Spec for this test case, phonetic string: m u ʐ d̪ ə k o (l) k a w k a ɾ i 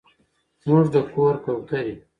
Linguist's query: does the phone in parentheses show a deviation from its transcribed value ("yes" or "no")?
yes